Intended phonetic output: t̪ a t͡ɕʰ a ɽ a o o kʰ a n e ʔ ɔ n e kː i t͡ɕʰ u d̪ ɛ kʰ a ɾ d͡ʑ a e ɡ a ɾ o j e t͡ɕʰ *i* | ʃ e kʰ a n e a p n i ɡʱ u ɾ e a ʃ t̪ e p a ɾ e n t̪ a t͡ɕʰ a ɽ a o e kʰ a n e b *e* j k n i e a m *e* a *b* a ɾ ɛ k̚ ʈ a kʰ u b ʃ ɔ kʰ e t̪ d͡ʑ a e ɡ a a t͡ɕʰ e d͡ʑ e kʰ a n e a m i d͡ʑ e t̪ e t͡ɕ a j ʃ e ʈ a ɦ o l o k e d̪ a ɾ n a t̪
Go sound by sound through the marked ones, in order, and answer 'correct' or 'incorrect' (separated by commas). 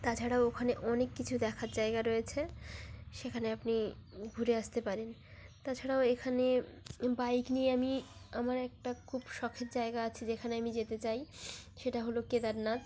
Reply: incorrect, incorrect, incorrect, incorrect